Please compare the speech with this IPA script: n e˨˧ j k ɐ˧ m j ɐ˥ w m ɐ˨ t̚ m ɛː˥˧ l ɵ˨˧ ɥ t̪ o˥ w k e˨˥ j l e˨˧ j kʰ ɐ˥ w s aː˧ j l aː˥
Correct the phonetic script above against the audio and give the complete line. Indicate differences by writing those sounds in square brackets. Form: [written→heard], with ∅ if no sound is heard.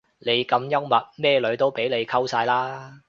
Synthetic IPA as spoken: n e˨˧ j k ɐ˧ m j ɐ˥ w m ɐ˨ t̚ m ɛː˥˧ l ɵ˨˧ ɥ t̪ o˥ w [k→p] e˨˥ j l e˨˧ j kʰ ɐ˥ w s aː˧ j l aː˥